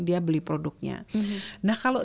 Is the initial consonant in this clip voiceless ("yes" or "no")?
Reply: no